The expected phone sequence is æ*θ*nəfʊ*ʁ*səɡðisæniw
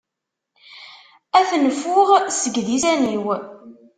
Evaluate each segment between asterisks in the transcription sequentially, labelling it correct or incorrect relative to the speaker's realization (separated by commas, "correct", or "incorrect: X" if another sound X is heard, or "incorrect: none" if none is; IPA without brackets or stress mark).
correct, correct